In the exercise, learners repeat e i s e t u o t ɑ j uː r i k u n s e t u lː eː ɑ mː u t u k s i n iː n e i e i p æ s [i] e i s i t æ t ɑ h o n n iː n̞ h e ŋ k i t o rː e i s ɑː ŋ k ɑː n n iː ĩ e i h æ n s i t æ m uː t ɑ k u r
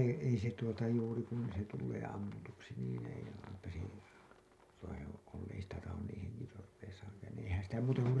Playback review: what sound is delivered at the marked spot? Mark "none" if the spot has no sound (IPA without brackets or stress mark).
e